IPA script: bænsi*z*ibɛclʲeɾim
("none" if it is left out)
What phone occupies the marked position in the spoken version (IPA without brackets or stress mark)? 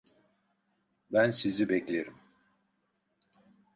z